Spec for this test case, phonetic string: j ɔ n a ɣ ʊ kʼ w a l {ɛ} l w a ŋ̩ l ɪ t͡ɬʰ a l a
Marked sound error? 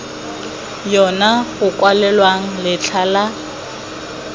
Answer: no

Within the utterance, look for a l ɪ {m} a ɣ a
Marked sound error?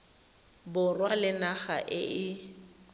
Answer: yes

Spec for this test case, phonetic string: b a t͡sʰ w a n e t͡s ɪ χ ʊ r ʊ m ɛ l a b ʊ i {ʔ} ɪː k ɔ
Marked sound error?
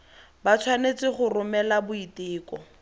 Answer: yes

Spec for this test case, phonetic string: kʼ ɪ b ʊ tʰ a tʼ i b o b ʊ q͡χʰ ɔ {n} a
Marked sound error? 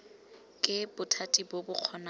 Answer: no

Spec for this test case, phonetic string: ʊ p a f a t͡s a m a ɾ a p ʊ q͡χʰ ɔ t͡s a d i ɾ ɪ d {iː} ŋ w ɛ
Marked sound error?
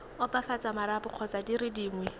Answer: no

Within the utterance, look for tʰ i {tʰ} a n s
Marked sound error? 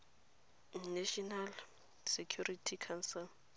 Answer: yes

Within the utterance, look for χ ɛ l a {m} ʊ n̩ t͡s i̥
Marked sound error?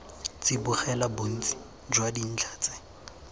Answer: yes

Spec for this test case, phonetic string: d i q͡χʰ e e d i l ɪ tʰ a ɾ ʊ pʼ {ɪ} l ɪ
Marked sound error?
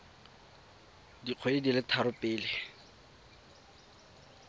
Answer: yes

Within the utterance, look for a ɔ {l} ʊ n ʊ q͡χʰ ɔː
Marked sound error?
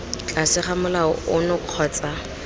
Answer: yes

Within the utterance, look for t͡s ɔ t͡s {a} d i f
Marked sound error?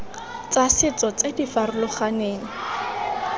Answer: yes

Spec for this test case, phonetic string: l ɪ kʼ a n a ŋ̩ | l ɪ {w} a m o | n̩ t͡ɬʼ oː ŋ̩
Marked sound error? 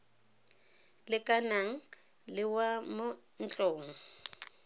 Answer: no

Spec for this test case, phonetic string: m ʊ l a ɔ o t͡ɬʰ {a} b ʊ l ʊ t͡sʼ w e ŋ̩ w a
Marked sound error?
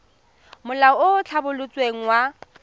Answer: no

